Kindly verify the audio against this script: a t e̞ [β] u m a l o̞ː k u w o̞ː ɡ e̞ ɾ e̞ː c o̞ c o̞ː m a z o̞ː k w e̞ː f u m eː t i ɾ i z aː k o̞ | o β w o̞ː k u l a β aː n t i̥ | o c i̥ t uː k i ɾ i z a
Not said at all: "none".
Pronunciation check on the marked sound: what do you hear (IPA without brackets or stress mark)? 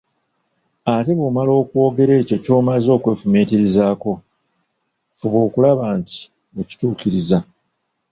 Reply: β